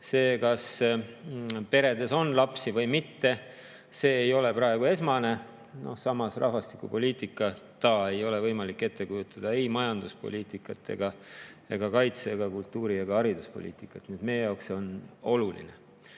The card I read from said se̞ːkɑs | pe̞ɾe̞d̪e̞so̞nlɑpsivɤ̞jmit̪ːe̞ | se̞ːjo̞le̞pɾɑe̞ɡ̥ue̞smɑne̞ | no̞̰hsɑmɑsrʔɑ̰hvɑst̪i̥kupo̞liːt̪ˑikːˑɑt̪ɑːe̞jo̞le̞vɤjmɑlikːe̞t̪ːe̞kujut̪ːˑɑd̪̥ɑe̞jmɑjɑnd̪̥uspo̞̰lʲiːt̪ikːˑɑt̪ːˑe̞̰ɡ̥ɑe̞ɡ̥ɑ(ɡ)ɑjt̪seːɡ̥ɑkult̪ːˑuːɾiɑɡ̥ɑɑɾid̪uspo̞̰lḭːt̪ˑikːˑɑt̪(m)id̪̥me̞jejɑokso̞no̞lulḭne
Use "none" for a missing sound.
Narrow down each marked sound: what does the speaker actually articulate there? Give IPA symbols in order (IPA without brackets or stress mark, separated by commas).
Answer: k, n